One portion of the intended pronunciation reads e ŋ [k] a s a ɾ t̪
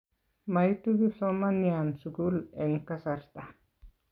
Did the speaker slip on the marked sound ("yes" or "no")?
no